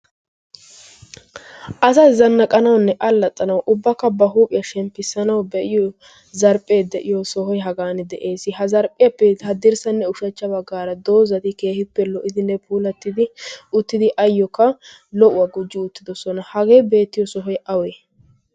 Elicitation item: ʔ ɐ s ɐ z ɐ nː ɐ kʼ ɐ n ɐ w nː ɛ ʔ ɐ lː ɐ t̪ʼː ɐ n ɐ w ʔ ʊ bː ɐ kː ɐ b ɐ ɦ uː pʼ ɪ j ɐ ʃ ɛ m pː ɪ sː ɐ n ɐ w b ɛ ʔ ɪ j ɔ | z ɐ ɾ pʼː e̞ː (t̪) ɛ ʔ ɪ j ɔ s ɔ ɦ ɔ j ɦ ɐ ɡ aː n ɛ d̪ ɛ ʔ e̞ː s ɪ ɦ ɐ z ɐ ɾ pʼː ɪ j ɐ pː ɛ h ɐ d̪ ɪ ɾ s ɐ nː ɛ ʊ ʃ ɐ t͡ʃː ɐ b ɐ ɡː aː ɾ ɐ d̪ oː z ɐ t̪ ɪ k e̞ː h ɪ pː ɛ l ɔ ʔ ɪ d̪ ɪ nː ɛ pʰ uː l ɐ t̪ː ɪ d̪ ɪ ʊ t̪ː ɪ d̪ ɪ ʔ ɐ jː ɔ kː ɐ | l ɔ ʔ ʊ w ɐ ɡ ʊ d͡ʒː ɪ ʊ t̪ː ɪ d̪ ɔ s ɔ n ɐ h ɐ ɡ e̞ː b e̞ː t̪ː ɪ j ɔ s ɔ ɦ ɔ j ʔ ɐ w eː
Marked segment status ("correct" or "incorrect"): incorrect